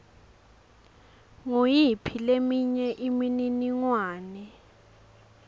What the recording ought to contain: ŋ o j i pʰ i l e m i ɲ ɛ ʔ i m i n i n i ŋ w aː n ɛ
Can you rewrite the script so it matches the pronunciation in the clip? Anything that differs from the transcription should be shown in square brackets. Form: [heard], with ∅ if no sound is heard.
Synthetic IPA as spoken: ŋ o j i pʰ i l e m i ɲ ɛ ʔ i m i n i n i ŋ w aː n ɛ